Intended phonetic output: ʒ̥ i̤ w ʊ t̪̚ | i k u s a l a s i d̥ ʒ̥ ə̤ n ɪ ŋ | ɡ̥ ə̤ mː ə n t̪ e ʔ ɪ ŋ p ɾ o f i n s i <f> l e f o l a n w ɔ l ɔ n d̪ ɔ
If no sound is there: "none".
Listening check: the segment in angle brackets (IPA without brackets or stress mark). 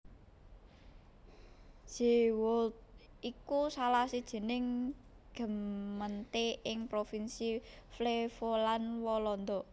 f